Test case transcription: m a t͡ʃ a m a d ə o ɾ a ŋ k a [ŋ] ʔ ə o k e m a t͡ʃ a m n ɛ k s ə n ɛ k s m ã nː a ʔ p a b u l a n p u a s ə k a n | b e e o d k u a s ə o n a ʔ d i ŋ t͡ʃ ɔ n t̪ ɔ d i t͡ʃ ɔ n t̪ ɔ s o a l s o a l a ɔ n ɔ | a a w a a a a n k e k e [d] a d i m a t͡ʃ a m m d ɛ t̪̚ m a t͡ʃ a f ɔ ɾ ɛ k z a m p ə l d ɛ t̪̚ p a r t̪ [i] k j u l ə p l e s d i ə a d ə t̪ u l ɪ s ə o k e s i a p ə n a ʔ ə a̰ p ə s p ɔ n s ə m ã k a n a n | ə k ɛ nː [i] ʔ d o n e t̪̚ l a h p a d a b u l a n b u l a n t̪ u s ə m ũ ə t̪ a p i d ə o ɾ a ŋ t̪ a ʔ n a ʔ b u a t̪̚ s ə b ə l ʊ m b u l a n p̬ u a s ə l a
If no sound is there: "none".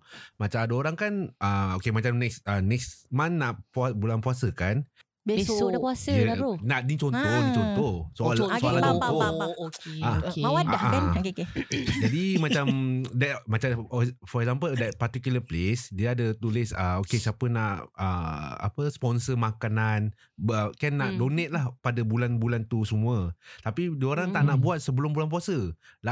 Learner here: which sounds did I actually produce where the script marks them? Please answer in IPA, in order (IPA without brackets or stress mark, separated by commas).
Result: n, d͡ʒ, i, a